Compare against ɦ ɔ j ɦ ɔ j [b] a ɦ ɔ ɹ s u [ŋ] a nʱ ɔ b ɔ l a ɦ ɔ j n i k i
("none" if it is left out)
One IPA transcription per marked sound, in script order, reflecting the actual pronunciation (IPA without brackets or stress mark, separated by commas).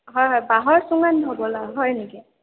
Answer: b, ŋ